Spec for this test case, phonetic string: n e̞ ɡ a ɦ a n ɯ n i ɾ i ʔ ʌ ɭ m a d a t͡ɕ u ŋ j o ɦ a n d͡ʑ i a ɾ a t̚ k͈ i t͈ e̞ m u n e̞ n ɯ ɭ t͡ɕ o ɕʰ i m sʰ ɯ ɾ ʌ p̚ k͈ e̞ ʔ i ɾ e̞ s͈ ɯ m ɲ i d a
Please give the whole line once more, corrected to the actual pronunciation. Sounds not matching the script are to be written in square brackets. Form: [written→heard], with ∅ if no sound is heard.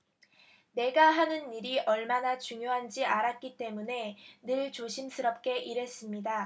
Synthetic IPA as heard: n e̞ ɡ a ɦ a n ɯ n i ɾ i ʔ ʌ ɭ m a [d→n] a t͡ɕ u ŋ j o ɦ a n d͡ʑ i a ɾ a t̚ k͈ i t͈ e̞ m u n e̞ n ɯ ɭ t͡ɕ o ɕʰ i m sʰ ɯ ɾ ʌ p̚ k͈ e̞ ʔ i ɾ e̞ s͈ ɯ m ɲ i d a